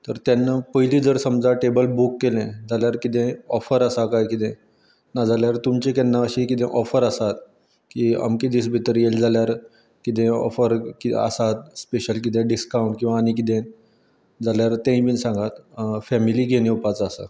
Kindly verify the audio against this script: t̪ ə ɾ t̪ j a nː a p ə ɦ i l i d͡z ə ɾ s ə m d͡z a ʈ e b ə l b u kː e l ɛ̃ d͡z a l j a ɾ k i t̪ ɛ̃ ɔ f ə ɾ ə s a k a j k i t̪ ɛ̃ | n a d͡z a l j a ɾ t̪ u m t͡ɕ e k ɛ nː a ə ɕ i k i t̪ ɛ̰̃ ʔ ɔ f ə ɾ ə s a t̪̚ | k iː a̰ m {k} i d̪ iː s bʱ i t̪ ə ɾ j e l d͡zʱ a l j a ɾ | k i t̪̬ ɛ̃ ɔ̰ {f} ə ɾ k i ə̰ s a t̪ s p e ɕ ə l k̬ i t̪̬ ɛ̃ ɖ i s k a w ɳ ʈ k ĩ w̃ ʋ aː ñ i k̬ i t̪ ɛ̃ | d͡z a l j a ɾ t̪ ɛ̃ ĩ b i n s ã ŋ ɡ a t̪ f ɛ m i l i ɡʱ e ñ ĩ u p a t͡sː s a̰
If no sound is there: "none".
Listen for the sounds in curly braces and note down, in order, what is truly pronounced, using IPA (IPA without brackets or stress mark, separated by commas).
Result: k, f